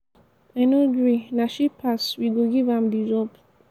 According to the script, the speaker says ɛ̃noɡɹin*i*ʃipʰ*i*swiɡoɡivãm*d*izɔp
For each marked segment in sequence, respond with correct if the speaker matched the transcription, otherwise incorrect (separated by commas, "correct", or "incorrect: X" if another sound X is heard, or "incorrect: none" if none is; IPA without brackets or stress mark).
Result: incorrect: a, incorrect: a, correct